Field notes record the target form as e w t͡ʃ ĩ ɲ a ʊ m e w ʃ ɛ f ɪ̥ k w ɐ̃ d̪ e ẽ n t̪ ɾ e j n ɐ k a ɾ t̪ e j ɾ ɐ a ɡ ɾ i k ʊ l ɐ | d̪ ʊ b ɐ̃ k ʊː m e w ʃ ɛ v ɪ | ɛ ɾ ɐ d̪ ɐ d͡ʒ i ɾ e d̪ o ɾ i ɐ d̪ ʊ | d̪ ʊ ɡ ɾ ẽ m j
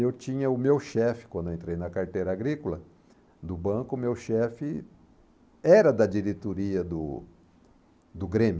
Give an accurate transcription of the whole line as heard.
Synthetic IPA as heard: e w t͡ʃ ĩ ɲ ɐ ʊ m e w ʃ ɛ f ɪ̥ k w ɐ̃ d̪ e ẽ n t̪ ɾ e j n ɐ k a ɾ t̪ e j ɾ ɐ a ɡ ɾ i k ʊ l ɐ | d̪ ʊ b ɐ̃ k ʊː m e w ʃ ɛ f ɪ | ɛ ɾ ɐ d̪ ɐ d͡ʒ i ɾ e t̪ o ɾ i ɐ d̪ ʊ | d̪ ʊ ɡ ɾ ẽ m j